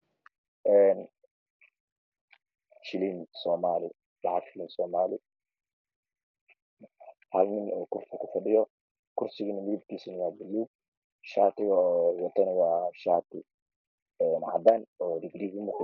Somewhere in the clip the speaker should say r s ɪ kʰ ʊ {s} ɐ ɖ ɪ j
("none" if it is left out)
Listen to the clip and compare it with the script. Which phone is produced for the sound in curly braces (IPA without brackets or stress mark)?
f